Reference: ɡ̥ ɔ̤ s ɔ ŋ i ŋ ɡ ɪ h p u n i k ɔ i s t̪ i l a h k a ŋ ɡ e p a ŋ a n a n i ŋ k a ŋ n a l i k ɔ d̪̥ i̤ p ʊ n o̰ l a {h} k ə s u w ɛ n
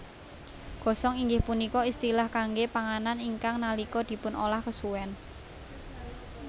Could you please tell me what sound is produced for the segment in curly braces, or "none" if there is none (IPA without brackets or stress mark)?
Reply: h